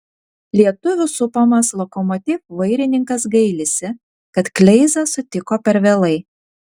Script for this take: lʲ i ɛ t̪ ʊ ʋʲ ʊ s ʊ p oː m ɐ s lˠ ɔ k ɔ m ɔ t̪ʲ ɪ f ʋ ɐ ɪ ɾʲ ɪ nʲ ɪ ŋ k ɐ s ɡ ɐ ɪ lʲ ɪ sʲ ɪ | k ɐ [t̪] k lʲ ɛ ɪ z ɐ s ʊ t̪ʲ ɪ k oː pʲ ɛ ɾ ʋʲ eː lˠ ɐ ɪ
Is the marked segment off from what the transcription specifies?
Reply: no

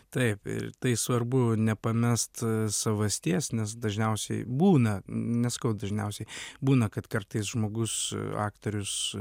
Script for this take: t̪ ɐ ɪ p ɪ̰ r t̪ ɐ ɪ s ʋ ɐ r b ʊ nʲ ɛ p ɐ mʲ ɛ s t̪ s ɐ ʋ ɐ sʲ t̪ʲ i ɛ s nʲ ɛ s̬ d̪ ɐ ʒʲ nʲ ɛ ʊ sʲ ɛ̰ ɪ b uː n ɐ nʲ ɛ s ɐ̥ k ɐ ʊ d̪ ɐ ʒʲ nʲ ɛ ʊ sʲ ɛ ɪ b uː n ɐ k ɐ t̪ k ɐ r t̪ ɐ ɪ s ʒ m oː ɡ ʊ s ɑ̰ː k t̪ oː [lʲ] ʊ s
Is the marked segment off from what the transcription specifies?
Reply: yes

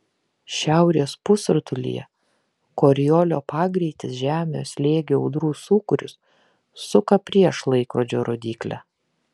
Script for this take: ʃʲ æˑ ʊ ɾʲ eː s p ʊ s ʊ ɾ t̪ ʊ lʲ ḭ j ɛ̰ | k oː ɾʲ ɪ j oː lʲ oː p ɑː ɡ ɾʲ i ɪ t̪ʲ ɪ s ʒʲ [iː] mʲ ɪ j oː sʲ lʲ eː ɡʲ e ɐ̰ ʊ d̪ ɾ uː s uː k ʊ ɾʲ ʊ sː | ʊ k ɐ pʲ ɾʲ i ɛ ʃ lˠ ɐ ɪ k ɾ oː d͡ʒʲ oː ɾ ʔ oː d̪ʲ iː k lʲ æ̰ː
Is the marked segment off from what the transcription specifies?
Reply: yes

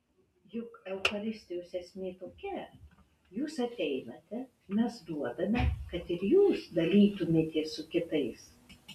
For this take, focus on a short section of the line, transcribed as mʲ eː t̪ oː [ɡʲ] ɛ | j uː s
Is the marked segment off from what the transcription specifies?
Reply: yes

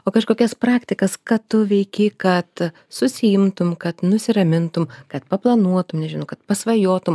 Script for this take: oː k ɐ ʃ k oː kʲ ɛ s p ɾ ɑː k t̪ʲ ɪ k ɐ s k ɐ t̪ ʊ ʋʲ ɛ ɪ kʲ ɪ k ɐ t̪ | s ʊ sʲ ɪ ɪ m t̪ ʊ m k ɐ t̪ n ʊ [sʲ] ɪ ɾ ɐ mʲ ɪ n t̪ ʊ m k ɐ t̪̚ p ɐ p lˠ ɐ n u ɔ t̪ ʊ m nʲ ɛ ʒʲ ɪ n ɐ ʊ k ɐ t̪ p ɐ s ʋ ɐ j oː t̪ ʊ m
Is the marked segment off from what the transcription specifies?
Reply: no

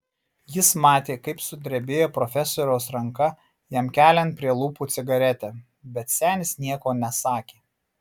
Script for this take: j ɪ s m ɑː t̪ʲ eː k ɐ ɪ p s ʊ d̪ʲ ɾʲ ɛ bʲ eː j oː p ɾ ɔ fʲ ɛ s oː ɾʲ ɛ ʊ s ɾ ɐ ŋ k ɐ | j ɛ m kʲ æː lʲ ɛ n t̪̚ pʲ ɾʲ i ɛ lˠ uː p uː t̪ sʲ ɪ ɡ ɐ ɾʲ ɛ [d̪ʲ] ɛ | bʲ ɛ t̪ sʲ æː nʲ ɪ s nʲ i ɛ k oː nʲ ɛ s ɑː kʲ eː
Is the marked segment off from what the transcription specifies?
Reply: yes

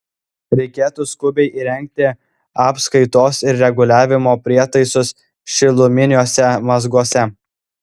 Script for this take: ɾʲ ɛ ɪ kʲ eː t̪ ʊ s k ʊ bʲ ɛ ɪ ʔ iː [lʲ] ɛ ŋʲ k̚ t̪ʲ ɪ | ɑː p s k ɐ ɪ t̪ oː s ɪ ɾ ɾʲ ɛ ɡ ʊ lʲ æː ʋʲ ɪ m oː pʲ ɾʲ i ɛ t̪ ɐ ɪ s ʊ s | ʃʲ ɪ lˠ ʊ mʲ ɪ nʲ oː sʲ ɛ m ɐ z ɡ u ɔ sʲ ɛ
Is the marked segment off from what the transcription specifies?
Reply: yes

